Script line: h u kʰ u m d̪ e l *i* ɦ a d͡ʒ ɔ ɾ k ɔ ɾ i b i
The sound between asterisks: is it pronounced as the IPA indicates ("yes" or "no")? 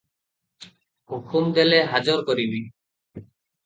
no